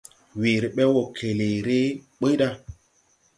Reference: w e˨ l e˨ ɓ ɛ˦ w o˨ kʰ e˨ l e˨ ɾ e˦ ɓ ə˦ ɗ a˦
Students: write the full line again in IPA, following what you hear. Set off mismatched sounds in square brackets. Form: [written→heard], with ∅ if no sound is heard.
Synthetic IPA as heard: w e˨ [l→ɾ] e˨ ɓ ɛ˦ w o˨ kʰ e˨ l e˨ ɾ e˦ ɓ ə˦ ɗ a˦